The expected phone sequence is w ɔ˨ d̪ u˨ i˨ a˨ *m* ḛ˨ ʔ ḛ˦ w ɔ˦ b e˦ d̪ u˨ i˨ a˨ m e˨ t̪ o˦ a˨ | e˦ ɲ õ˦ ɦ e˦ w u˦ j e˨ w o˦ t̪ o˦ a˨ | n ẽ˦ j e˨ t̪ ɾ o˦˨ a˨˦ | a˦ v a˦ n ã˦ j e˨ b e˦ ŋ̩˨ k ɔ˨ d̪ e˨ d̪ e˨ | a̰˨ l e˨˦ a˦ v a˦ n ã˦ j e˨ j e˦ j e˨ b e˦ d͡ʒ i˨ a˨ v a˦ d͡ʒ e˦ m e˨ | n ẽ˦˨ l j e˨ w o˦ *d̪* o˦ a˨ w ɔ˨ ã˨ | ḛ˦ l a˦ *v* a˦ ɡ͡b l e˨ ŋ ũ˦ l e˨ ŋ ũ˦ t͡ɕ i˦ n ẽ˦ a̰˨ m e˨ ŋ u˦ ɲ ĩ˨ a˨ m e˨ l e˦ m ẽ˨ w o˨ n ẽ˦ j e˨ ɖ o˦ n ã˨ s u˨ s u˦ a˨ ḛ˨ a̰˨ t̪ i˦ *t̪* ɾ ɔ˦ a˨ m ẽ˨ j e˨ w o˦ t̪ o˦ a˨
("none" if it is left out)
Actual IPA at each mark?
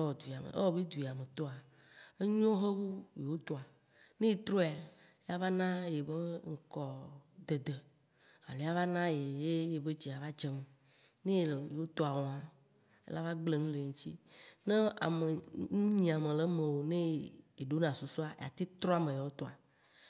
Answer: m, t̪, v, t̪

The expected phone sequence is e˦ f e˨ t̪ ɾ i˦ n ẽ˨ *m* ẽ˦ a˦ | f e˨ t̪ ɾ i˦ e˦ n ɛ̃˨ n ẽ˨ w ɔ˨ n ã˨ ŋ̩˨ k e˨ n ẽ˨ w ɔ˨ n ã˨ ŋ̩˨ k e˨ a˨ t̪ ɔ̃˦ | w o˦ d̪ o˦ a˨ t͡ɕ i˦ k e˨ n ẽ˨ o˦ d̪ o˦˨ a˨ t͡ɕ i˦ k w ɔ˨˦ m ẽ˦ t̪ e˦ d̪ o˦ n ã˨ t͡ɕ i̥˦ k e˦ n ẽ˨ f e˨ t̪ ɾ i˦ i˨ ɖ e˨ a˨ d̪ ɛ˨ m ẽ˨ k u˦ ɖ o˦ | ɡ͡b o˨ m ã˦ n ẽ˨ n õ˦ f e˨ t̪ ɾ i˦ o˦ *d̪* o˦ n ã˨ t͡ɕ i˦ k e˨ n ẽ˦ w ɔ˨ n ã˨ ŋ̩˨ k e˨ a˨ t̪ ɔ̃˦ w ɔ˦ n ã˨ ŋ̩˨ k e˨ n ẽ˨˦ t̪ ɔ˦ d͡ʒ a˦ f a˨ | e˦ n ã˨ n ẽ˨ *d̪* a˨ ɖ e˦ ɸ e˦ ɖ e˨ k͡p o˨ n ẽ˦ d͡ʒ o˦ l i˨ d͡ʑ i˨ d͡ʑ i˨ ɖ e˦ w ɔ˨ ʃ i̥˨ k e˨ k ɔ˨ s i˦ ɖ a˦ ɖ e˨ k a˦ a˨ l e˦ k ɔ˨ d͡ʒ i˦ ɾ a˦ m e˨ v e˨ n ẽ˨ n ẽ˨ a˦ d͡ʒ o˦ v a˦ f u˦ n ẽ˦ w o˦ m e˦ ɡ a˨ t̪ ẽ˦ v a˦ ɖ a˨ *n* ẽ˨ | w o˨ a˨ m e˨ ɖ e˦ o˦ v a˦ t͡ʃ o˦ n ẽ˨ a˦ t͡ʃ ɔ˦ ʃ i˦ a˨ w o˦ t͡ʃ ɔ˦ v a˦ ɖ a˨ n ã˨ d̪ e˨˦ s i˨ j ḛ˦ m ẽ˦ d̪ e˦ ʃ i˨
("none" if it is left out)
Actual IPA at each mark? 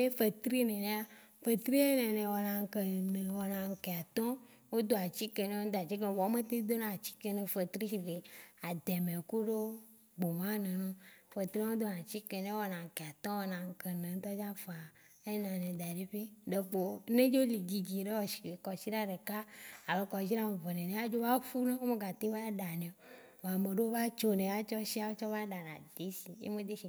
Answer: n, d̪, d̪, n

